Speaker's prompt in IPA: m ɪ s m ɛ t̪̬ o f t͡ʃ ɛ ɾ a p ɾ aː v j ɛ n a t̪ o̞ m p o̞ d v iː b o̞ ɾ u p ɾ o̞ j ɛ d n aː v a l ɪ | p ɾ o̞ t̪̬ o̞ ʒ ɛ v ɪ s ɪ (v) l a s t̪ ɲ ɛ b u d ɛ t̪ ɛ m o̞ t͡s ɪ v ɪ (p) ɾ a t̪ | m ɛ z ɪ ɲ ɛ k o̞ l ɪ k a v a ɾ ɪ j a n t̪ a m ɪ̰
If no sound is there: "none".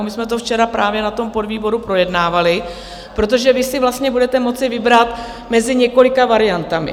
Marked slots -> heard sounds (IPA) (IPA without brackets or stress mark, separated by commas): v, b